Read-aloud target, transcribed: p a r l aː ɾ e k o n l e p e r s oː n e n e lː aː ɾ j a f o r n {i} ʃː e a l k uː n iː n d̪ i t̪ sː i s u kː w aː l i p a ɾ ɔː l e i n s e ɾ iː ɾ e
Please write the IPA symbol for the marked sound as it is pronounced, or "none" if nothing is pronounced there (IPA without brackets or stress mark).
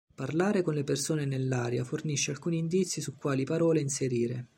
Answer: i